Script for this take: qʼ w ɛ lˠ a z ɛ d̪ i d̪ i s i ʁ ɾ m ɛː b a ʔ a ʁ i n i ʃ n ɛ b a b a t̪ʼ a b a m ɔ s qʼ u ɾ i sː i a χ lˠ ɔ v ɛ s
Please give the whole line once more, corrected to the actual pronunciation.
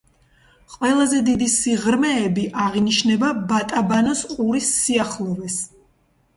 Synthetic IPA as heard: qʼ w ɛ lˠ a z ɛ d̪ i d̪ i s i ʁ ɾ m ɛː b i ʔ a ʁ i n i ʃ n ɛ b a b a t̪ʼ a b a n ɔ s qʼ u ɾ i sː i a χ lˠ ɔ v ɛ s